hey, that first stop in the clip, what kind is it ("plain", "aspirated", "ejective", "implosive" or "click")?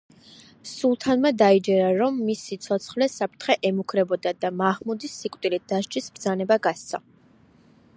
aspirated